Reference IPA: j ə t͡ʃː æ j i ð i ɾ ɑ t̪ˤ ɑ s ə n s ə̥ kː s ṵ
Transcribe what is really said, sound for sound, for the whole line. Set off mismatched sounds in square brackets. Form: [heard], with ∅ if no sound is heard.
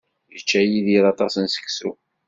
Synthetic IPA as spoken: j ə t͡ʃː æ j i ð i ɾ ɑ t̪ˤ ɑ s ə n s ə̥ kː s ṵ